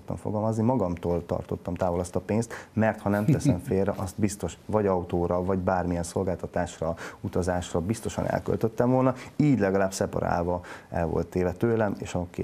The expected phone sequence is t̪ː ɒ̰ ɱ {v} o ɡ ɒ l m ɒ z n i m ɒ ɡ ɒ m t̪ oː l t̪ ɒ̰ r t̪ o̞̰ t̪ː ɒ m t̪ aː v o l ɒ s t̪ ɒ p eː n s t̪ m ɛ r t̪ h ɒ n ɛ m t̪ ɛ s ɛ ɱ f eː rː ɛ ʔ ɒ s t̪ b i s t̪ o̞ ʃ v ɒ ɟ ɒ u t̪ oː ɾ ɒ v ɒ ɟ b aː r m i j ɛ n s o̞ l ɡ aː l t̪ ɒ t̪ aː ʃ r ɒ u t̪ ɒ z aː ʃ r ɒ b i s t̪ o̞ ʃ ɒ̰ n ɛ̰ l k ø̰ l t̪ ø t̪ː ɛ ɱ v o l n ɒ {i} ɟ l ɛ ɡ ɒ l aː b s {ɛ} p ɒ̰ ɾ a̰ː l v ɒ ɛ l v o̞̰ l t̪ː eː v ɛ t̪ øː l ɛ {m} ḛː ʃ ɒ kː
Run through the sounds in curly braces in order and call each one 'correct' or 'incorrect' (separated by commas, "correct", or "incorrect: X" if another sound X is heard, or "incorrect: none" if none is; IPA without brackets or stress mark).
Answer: incorrect: f, incorrect: iː, correct, correct